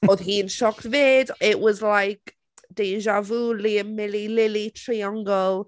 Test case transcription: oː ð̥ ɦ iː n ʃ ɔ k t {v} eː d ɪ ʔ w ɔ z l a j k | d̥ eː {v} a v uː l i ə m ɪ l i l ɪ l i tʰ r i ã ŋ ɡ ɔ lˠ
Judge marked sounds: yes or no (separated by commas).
yes, no